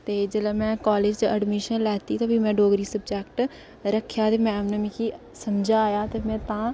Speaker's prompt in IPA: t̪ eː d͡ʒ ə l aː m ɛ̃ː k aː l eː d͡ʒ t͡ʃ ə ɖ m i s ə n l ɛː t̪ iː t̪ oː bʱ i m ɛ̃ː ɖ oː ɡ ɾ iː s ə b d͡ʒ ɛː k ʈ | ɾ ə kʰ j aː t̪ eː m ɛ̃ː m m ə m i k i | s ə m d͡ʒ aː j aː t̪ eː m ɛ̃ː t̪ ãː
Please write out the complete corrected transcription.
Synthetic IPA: t̪ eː d͡ʒ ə l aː m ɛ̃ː k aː l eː d͡ʒ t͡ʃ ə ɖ m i ʃ ə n l ɛː t̪ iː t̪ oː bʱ i m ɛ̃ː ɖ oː ɡ ɾ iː s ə b d͡ʒ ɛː k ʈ | ɾ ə kʰ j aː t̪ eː m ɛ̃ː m n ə m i k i | s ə m d͡ʒ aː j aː t̪ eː m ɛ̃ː t̪ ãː